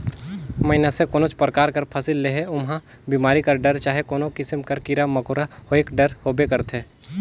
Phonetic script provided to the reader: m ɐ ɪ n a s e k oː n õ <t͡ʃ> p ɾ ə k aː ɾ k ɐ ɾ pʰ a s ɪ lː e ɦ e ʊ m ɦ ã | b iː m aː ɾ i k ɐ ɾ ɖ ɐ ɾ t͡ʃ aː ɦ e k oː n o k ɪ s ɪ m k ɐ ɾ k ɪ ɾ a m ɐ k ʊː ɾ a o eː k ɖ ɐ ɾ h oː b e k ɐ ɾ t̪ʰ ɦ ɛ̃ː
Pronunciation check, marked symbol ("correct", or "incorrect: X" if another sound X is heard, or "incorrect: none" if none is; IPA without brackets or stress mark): correct